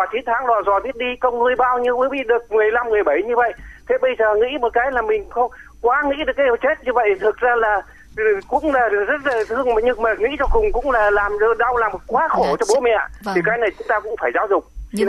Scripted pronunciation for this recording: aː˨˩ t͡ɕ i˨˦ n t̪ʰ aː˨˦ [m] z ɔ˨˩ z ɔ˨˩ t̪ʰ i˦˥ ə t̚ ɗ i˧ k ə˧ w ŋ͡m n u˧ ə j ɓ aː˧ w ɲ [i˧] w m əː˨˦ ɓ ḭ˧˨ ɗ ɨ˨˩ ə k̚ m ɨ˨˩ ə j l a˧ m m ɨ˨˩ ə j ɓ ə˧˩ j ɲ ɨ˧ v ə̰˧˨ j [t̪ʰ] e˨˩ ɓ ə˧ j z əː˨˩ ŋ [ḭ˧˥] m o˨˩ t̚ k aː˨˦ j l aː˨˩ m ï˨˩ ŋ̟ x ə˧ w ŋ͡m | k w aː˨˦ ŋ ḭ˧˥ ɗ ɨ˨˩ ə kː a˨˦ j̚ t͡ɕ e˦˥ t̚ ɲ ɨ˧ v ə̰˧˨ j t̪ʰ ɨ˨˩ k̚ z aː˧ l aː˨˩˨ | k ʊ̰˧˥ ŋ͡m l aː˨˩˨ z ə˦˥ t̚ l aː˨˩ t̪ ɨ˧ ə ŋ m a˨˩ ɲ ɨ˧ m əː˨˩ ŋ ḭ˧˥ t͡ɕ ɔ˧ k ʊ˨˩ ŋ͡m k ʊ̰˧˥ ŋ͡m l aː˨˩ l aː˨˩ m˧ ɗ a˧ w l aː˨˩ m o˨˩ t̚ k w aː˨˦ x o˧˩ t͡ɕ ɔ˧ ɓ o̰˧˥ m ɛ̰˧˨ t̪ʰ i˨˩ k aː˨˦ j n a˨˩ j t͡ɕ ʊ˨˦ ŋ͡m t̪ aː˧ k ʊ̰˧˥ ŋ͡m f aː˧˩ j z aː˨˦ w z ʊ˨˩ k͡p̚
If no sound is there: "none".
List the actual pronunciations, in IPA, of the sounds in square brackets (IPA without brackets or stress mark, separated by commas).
ŋ, i˧, t̪ʰ, ḭ˧˥